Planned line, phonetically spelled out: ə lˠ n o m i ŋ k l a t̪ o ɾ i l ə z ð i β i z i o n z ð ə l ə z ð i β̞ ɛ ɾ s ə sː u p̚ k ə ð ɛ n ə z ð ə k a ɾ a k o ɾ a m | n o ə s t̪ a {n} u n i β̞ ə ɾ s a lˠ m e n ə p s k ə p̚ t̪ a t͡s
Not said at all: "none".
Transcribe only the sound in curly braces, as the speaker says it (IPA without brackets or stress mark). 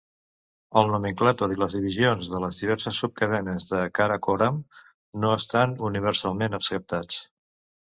n